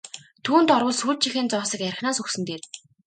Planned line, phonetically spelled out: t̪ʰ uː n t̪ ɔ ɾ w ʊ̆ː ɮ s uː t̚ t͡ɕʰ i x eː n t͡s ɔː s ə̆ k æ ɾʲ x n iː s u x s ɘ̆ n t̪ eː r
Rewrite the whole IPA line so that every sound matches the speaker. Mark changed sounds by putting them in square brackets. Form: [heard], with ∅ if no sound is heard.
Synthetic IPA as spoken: t̪ʰ uː n t̪ ɔ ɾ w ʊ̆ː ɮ s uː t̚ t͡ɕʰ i x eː n t͡s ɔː s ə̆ k æ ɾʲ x n [aː] s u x s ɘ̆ n t̪ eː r